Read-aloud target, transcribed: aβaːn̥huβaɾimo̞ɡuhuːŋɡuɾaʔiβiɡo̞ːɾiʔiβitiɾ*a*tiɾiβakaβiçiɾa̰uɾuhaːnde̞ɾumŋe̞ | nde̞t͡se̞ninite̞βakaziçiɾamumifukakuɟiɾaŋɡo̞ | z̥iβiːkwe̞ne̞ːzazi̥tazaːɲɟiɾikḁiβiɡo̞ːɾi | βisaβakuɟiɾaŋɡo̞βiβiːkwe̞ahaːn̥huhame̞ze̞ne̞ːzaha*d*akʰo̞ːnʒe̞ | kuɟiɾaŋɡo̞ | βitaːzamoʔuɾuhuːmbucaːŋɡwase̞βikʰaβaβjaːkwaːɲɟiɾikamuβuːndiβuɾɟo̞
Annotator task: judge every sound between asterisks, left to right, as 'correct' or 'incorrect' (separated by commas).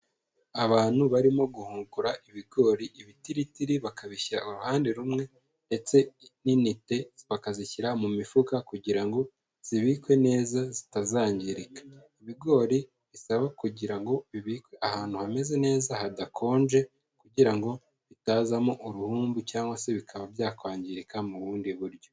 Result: incorrect, correct